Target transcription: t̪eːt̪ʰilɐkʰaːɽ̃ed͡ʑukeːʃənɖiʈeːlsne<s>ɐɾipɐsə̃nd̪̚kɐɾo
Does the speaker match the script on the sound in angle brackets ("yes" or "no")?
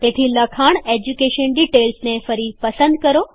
no